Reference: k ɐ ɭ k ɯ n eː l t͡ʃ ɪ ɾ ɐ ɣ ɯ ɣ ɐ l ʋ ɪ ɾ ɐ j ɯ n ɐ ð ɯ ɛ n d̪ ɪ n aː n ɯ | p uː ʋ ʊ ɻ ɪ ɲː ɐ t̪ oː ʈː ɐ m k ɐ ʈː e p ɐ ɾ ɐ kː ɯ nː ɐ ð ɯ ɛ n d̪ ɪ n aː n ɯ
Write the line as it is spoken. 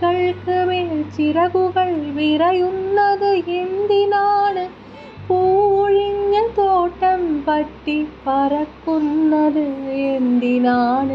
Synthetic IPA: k ɐ ɭ k ɯ m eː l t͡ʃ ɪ ɾ ɐ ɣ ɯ ɣ ɐ ɭ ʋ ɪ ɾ ɐ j ɯ nː ɐ ð ɯ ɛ n d̪ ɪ n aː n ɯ | p uː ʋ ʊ ɻ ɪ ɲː ɐ t̪ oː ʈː ɐ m p ɐ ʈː i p ɐ ɾ ɐ kː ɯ nː ɐ ð ɯ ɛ n d̪ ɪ n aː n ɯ